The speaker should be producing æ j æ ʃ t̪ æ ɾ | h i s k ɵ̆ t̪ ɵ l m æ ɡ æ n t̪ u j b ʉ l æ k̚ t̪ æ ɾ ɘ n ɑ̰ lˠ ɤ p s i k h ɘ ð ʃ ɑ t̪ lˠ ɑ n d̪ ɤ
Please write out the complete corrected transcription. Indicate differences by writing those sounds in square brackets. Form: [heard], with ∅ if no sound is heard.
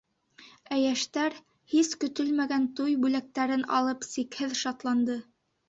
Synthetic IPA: æ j æ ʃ t̪ æ ɾ | h i s k ɵ̆ t̪ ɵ l m æ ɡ æ n t̪ u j b ʉ l æ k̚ t̪ æ ɾ ɘ n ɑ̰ lˠ ɤ p s i k h ɘ ð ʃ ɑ t̪ lˠ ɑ n d̪ ɤ